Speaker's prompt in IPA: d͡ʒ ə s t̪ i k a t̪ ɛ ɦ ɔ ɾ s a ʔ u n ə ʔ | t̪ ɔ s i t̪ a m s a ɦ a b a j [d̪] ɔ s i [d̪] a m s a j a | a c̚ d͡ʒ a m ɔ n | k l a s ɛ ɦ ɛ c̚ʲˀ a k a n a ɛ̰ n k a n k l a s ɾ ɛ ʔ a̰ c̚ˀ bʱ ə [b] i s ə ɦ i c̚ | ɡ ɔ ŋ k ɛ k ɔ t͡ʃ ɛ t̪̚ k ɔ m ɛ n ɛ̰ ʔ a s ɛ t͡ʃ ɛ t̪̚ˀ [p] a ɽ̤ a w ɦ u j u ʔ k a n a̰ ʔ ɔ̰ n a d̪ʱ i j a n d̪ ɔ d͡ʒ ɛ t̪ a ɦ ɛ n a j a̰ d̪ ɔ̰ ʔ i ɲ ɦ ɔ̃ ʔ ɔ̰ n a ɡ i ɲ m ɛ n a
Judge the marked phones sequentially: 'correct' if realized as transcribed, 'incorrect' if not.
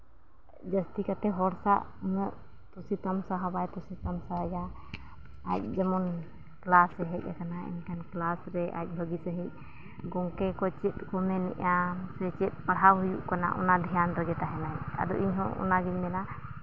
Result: incorrect, incorrect, incorrect, correct

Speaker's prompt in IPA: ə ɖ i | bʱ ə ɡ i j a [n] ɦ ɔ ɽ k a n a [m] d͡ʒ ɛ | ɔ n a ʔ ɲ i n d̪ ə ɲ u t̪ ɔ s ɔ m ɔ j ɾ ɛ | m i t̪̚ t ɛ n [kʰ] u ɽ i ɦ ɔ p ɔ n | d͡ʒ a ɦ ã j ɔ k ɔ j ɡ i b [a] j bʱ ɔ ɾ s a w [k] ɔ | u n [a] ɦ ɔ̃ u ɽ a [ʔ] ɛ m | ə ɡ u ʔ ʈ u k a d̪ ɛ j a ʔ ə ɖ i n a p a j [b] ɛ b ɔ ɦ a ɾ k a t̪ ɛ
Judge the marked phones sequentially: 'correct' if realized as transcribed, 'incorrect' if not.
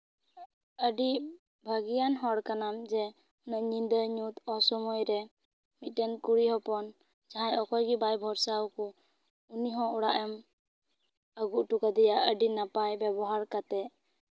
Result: correct, correct, incorrect, correct, correct, incorrect, correct, correct

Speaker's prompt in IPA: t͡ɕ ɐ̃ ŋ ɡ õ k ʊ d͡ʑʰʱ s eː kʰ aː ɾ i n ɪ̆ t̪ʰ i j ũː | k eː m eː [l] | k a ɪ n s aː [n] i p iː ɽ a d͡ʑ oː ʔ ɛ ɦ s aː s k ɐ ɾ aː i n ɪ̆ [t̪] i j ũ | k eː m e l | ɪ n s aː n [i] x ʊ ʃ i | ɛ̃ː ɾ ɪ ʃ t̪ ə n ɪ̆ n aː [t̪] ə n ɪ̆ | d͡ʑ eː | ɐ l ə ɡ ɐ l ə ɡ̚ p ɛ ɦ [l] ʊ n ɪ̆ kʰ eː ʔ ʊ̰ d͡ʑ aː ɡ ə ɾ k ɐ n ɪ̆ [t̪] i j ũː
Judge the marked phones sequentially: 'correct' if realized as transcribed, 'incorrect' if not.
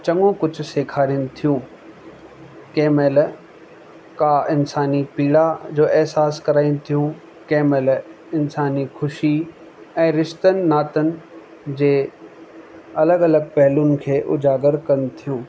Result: correct, correct, incorrect, correct, correct, correct, incorrect

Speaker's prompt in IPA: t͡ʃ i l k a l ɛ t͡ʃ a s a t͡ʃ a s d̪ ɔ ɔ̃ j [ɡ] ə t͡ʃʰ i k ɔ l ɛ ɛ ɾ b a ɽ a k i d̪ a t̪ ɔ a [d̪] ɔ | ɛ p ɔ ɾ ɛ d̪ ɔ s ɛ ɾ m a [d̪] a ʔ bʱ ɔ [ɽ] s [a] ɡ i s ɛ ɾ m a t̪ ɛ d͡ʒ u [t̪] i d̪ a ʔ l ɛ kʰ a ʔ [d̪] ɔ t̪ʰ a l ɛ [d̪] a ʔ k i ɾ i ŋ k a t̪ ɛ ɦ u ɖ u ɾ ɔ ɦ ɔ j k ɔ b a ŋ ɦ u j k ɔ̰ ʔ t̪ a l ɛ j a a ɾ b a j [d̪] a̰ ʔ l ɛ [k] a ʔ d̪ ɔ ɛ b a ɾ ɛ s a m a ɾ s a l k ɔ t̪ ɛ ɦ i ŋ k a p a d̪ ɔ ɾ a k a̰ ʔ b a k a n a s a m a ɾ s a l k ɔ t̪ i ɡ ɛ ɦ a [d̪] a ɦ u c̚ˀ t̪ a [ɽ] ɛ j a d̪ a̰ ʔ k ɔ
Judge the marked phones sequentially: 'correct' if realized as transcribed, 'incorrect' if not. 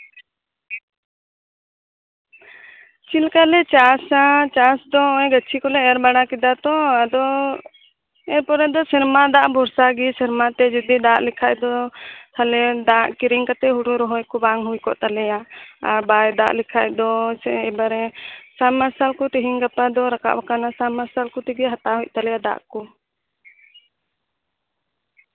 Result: correct, correct, correct, incorrect, correct, incorrect, correct, correct, correct, incorrect, incorrect, incorrect

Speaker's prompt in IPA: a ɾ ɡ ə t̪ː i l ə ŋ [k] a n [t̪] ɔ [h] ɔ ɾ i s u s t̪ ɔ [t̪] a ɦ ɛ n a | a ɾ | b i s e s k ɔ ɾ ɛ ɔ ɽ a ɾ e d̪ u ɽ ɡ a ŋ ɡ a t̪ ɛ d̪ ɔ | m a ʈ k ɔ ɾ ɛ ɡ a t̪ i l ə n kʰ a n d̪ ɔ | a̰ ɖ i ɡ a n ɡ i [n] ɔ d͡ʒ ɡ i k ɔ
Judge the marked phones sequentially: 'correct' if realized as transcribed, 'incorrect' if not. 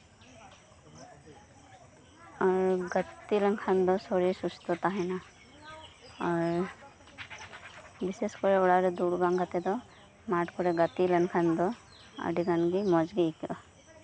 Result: incorrect, incorrect, incorrect, correct, incorrect

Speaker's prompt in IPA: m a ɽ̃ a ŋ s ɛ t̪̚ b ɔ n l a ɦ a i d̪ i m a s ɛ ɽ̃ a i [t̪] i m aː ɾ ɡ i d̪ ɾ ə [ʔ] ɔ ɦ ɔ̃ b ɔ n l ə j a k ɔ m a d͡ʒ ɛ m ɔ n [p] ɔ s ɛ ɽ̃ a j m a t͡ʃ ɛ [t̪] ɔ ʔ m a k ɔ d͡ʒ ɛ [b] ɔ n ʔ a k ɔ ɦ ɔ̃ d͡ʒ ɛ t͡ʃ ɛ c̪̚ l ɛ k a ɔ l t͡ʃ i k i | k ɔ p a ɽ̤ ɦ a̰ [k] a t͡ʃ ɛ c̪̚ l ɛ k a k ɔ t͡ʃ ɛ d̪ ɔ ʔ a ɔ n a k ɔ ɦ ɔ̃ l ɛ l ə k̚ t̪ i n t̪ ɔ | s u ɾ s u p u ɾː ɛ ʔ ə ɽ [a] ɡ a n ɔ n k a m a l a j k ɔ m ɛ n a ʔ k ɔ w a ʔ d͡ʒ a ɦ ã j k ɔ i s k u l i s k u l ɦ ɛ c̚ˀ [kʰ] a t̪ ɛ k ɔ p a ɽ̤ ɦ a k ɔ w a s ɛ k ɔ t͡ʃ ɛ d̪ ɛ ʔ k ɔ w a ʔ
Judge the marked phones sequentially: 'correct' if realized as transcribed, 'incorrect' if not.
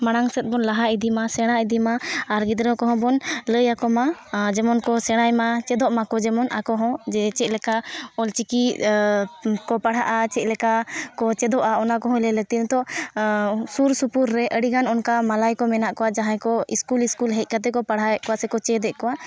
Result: incorrect, incorrect, incorrect, incorrect, incorrect, incorrect, incorrect, incorrect

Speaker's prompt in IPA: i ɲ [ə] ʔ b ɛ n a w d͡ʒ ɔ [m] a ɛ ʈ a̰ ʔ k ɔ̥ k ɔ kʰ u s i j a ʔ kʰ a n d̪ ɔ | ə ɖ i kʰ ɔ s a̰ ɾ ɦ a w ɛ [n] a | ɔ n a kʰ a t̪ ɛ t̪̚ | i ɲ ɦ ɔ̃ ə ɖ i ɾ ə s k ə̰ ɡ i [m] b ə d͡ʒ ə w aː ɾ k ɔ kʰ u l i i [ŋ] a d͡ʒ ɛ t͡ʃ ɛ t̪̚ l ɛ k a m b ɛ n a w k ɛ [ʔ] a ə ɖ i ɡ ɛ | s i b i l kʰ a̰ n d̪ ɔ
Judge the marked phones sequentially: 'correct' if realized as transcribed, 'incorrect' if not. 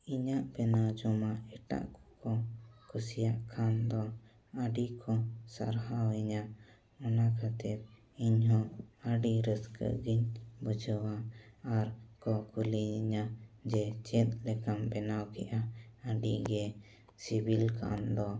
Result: incorrect, correct, incorrect, incorrect, incorrect, correct

